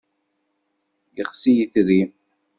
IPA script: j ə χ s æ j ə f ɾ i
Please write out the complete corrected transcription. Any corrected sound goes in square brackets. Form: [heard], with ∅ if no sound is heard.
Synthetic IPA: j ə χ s [i] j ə [θ] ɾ i